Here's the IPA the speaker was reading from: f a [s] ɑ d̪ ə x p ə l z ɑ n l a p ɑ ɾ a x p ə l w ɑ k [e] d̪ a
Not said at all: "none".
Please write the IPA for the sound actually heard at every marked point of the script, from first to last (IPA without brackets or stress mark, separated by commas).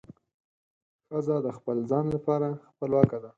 z, a